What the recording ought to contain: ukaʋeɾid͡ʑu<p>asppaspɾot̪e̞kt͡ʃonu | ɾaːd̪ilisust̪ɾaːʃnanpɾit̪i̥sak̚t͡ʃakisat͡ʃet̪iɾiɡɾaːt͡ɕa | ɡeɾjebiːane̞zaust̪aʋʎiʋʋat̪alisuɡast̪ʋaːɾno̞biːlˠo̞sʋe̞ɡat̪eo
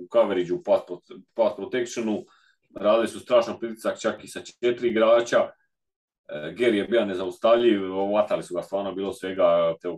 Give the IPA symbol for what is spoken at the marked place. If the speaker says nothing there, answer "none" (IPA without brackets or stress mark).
p